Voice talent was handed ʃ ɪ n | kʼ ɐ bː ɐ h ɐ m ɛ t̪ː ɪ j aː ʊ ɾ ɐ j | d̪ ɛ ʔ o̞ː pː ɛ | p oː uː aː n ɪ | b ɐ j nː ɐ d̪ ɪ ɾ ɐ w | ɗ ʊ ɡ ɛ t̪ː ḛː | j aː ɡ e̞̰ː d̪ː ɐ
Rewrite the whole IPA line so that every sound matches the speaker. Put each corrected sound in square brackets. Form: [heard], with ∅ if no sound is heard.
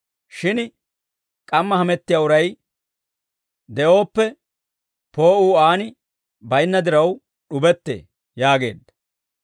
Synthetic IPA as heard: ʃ ɪ n | kʼ ɐ [mː] ɐ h ɐ m ɛ t̪ː ɪ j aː ʊ ɾ ɐ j | d̪ ɛ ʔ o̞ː pː ɛ | p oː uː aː n ɪ | b ɐ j nː ɐ d̪ ɪ ɾ ɐ w | ɗ ʊ [b] ɛ t̪ː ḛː | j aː ɡ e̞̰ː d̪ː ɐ